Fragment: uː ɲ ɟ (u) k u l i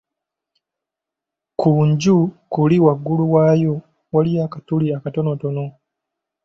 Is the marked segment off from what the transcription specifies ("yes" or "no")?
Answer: no